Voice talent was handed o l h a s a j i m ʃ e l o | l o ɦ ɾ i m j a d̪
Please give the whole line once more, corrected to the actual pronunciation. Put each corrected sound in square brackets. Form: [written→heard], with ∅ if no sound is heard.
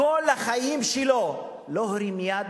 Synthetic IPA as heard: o l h a [s→χ] a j i m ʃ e l o | l o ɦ ɾ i m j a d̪